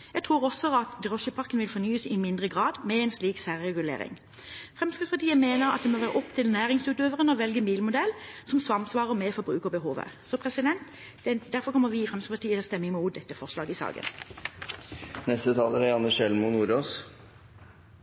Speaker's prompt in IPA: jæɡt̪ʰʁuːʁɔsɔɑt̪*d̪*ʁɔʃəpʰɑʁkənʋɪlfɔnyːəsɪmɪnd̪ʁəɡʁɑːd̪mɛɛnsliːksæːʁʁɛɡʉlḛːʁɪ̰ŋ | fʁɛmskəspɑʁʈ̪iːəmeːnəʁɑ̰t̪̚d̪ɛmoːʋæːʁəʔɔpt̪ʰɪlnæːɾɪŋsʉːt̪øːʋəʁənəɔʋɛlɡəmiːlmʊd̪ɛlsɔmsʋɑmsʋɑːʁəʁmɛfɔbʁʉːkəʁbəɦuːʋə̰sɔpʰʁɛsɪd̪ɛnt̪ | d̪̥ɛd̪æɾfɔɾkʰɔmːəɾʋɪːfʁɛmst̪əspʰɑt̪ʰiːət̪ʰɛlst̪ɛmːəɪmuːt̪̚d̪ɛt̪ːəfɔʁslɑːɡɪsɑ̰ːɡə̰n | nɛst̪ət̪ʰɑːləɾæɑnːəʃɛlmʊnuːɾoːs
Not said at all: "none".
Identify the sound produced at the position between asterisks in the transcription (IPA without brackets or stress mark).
d̪